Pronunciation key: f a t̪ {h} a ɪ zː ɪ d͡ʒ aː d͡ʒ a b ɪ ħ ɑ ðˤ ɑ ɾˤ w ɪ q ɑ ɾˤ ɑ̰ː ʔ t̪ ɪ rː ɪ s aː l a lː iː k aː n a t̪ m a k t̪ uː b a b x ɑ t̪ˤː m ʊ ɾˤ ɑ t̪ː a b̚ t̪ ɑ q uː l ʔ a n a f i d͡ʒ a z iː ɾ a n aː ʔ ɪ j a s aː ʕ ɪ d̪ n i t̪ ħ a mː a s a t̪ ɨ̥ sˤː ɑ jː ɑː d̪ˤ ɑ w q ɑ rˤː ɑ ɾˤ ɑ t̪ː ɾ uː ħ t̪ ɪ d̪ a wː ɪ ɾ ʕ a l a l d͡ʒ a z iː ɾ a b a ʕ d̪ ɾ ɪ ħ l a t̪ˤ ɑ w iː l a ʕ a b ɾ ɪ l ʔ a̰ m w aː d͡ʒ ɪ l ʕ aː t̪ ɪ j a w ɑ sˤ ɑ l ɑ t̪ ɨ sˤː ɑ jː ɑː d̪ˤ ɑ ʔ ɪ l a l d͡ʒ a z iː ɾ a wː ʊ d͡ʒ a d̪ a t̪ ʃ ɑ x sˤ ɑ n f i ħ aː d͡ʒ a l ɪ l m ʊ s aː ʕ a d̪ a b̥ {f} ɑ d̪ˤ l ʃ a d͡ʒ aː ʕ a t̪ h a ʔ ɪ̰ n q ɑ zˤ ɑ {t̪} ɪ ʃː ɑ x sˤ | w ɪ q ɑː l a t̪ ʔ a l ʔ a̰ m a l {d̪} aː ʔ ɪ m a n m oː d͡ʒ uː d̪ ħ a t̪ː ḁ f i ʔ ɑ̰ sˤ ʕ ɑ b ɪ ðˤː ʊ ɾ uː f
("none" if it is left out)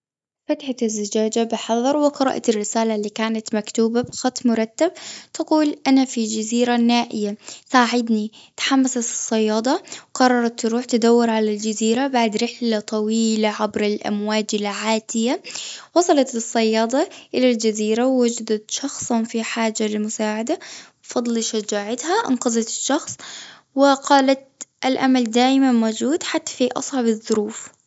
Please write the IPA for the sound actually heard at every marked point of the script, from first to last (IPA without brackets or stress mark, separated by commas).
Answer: ħ, f, t̪, d̪